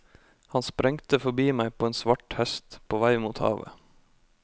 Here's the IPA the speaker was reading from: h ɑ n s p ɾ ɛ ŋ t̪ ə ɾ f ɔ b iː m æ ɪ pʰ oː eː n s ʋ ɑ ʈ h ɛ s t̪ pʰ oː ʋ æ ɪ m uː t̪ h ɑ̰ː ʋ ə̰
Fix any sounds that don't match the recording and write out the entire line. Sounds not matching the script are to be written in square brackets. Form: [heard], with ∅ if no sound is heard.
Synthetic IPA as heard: h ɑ n s p ɾ ɛ ŋ t̪ ə [∅] f ɔ b iː m æ ɪ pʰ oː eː n s ʋ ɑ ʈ h ɛ s t̪ pʰ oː ʋ æ ɪ m uː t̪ h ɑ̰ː ʋ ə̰